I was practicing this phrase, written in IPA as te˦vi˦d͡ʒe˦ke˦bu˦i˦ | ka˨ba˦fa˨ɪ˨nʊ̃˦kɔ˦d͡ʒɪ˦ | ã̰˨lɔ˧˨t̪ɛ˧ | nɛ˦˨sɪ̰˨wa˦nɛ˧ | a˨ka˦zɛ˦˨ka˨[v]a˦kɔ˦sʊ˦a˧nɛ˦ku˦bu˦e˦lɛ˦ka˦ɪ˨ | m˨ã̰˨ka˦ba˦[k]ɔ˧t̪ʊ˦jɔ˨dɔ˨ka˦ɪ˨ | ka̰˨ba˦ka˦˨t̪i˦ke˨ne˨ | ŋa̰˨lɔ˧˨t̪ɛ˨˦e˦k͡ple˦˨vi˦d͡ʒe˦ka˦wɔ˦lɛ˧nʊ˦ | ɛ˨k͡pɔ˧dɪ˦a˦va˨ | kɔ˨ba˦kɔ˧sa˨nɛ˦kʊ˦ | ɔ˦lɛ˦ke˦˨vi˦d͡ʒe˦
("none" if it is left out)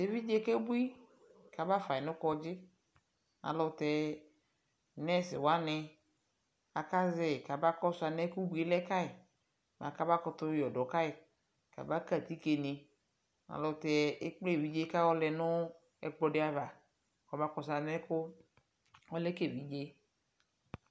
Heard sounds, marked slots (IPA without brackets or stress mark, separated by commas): b, k